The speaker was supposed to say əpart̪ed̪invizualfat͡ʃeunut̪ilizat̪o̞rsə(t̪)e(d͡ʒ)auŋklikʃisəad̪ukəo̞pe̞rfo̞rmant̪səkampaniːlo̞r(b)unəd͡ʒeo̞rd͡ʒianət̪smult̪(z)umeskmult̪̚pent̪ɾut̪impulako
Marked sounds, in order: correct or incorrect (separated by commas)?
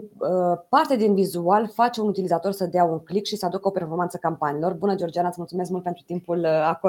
incorrect, incorrect, correct, incorrect